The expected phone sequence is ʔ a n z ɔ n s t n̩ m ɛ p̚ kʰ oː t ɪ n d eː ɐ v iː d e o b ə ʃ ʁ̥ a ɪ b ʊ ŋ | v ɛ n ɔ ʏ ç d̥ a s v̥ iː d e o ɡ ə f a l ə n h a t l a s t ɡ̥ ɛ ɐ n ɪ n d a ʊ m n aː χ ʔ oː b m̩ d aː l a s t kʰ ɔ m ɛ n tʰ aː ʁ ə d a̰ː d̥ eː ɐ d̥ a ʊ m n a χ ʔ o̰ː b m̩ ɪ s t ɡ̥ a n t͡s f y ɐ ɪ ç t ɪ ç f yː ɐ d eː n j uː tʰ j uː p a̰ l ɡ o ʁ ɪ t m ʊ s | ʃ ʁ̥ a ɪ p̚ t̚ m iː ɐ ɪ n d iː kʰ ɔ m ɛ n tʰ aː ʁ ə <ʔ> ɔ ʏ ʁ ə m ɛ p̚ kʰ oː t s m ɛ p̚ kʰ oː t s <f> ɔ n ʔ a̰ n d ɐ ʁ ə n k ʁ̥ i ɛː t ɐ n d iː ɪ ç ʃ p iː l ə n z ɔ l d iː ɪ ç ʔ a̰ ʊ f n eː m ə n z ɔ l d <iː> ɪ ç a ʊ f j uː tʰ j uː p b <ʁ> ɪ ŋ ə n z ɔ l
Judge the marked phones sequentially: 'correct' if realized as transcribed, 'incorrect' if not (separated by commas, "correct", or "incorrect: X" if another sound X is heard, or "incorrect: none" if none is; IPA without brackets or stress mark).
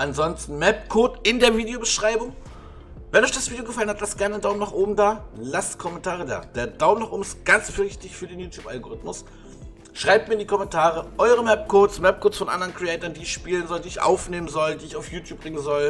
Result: correct, correct, correct, correct